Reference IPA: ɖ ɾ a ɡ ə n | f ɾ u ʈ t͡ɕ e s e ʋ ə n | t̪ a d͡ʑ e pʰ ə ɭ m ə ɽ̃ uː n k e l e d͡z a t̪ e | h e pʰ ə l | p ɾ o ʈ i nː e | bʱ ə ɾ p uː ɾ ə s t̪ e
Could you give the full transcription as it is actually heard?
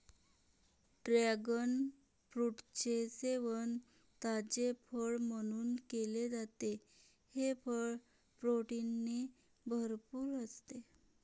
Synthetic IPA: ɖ ɾ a ɡ ə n | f ɾ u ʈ t͡ɕ e s e ʋ ə n | t̪ a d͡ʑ e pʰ ə ɭ m ə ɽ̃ uː n k e l e d͡z a t̪ e | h e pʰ ə ɭ | p ɾ o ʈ i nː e | bʱ ə ɾ p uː ɾ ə s t̪ e

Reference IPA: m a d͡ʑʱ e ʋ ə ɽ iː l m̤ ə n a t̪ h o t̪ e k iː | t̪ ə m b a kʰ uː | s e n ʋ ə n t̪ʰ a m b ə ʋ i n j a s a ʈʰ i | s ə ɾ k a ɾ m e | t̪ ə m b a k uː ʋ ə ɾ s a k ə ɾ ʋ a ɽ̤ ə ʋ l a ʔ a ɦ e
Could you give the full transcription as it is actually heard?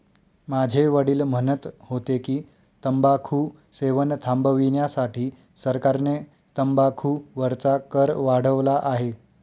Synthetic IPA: m a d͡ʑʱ e ʋ ə ɽ iː l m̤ ə n ə t̪ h o t̪ e k iː | t̪ ə m b a kʰ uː | s e ʋ ə n t̪ʰ a m b ə ʋ i n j a s a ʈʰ iː | s ə ɾ k a ɾ n e | t̪ ə m b a kʰ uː ʋ ə ɾ t͡s a k ə ɾ ʋ a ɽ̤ ə ʋ l a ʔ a ɦ e

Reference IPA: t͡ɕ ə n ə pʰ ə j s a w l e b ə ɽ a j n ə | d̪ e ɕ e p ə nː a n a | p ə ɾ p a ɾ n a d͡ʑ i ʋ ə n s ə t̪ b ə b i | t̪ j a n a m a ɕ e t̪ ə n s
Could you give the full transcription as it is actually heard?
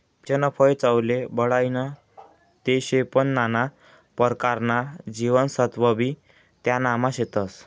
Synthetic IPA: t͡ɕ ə n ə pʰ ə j t͡s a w l e b ə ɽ a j n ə | t̪ e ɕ e p ə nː a n a | p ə ɾ k a ɾ n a d͡ʑ i ʋ ə n s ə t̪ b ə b i | t̪ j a n a m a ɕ e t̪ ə s

